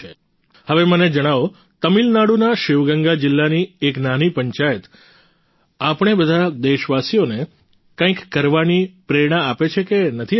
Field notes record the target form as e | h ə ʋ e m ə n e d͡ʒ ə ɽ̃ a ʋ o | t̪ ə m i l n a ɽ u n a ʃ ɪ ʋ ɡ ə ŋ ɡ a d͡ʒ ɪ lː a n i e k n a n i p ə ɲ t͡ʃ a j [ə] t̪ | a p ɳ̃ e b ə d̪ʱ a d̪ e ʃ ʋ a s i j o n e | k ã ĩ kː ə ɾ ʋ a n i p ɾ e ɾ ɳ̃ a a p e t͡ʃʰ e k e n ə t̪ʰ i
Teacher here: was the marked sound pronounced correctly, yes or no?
yes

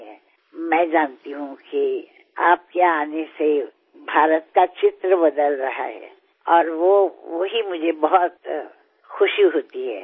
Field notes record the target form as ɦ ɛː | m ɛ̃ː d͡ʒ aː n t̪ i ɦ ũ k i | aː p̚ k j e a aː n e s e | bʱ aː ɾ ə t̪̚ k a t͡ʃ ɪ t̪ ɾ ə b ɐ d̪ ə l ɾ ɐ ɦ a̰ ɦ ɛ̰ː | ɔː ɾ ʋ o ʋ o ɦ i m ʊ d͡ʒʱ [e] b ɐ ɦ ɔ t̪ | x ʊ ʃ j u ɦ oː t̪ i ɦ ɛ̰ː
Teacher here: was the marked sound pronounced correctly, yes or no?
yes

